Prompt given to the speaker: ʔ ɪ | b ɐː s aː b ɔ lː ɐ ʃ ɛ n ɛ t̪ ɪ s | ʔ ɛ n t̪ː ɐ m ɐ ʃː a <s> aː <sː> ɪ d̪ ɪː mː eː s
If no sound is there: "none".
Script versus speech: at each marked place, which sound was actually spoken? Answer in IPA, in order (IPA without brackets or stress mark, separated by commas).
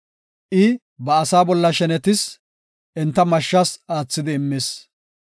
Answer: s, t͡sː